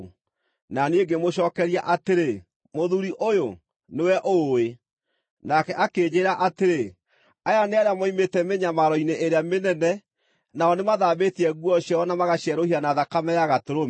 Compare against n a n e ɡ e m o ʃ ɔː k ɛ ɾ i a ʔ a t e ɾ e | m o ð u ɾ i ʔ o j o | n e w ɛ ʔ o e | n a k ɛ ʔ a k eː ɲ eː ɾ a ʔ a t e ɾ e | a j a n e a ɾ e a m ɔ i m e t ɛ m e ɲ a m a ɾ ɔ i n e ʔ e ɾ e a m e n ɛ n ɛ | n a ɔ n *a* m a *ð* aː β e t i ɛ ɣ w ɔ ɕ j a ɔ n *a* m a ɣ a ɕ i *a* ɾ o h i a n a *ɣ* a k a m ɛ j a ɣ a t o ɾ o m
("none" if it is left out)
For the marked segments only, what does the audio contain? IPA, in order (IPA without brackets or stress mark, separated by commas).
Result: e, ð, a, ɛ, ð